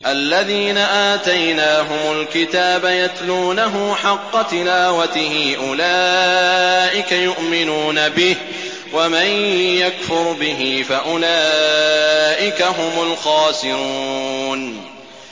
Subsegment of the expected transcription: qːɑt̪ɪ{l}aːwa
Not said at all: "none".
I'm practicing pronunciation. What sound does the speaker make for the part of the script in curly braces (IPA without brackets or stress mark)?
l